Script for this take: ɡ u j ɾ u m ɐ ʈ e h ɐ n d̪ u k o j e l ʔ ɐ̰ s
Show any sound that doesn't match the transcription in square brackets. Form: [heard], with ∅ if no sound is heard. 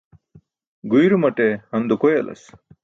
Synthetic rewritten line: ɡ u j ɾ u m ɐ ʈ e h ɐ n d̪ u k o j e l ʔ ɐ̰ s